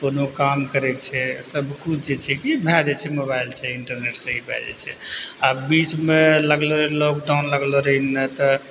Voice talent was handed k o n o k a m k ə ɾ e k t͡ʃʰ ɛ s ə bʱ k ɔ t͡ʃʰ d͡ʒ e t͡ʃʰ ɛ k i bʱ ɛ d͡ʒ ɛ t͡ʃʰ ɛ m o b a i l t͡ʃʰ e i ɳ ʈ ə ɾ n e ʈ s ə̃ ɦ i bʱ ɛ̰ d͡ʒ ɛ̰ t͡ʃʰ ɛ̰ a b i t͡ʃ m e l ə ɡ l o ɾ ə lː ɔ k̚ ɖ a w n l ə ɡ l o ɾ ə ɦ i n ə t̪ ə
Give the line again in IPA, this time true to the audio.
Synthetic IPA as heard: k o n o k a m k ə ɾ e k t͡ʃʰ ɛ s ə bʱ k u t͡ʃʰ d͡ʒ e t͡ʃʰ ɛ k i bʱ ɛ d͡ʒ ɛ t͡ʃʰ ɛ m o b a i l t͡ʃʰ ɛ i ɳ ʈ ə ɾ n e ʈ s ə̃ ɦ i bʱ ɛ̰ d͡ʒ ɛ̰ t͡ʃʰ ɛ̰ a b i t͡ʃ m e l ə ɡ l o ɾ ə l ɔ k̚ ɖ a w n l ə ɡ l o ɾ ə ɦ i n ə t̪ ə